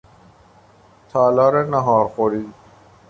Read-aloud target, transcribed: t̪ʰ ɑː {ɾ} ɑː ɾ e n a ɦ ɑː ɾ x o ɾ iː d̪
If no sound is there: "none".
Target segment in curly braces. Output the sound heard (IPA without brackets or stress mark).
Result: l